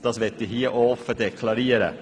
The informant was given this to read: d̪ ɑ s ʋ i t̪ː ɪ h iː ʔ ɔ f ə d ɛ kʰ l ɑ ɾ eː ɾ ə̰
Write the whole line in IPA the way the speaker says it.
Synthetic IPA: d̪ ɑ s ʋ ɛ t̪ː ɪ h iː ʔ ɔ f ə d ɛ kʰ l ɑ ɾ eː ɾ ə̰